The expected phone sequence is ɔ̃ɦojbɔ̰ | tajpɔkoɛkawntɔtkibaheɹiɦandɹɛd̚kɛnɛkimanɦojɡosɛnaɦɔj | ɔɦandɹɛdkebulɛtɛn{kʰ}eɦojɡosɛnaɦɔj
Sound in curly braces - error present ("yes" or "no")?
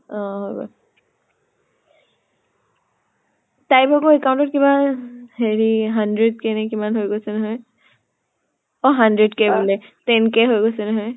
yes